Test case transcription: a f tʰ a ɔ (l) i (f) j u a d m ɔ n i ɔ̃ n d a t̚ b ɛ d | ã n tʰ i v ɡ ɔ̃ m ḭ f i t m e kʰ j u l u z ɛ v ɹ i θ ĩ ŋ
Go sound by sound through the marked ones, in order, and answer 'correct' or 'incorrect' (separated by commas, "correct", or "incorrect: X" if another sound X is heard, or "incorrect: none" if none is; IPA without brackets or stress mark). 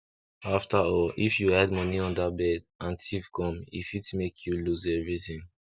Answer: correct, correct